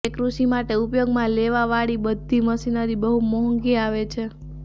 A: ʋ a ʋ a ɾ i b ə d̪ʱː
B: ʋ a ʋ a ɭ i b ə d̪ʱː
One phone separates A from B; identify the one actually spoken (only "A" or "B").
B